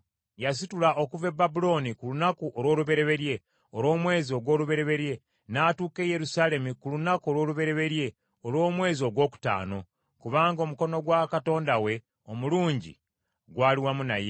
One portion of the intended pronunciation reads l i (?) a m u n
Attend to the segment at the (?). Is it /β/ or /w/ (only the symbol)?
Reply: w